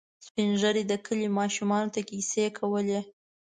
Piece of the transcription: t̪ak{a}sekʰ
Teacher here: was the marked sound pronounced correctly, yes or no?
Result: no